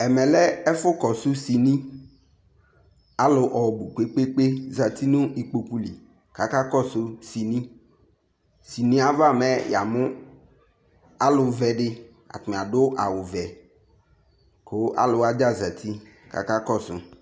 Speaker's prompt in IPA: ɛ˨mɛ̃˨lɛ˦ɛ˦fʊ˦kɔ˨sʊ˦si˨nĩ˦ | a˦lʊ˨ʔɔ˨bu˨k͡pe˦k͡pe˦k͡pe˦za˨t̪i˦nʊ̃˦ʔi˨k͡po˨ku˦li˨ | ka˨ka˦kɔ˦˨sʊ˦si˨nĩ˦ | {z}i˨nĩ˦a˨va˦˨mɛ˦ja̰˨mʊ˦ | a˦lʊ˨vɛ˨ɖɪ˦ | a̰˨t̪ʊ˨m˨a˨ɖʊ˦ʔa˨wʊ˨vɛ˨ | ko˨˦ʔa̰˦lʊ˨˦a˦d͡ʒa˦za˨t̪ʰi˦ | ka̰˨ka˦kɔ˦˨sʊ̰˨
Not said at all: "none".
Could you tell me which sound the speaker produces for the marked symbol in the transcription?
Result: s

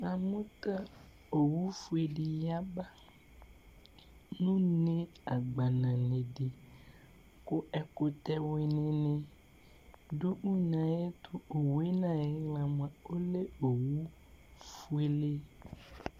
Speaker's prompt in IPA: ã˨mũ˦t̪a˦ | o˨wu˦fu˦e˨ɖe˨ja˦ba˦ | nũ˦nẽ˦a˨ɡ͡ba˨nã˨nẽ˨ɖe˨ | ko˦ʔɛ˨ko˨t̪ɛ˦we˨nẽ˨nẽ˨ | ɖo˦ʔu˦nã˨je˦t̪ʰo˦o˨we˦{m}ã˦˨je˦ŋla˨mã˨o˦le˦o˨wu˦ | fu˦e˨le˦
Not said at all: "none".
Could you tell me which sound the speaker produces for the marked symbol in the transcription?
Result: n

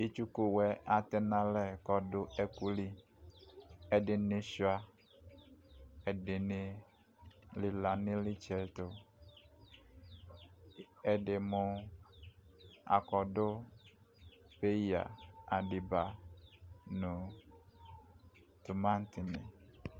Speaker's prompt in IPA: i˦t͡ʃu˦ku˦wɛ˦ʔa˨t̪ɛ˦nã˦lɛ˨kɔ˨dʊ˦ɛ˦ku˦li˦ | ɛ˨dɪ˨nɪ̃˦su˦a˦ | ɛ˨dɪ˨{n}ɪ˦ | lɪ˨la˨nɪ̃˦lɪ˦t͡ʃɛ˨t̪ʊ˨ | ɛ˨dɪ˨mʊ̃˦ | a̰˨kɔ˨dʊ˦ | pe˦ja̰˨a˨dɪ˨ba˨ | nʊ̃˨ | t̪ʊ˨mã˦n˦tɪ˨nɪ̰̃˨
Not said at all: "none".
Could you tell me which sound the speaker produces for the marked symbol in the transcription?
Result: n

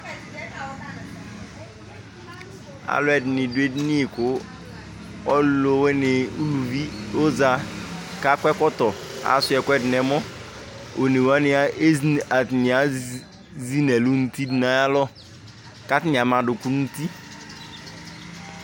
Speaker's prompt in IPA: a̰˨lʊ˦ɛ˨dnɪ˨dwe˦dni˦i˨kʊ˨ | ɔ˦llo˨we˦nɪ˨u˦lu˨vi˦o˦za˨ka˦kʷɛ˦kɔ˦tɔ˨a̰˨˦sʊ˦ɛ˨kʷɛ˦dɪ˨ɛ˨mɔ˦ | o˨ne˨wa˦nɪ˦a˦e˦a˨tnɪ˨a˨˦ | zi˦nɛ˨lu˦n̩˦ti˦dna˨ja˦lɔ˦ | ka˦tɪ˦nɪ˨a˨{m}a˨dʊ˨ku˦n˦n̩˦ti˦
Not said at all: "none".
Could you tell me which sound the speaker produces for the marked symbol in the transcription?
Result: m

